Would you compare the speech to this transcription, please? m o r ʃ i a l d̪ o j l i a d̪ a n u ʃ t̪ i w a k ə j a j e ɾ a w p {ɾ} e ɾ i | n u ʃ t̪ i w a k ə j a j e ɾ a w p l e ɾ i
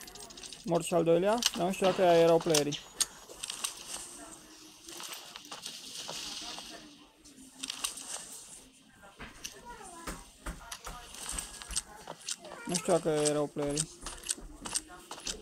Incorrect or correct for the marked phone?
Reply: incorrect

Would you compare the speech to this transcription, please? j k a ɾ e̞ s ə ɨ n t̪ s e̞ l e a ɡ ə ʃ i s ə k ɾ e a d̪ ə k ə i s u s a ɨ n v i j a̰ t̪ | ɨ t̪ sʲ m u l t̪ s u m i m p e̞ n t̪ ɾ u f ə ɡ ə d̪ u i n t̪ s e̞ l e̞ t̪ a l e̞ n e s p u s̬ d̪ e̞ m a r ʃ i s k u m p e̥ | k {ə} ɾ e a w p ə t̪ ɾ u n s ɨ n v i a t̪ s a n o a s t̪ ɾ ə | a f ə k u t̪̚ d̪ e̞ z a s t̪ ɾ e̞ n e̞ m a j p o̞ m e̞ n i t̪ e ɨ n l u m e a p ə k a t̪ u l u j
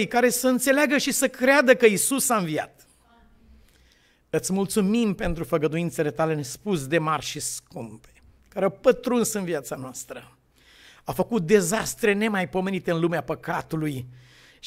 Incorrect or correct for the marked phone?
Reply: incorrect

